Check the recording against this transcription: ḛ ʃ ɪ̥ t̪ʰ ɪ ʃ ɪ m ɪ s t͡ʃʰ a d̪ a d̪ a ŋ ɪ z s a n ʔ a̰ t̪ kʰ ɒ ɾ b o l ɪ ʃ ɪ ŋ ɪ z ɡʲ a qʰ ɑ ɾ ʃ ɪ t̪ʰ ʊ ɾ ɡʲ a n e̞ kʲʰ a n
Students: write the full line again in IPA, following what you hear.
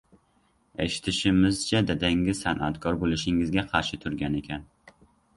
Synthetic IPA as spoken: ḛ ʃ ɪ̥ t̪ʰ ɪ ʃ ɪ m ɪ z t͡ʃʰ a d̪ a d̪ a ŋ ɪ z s a n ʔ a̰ t̪ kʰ ɒ ɾ b o l ɪ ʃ ɪ ŋ ɪ z ɡʲ a qʰ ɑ ɾ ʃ ɪ t̪ʰ ʊ ɾ ɡʲ a n e̞ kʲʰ a n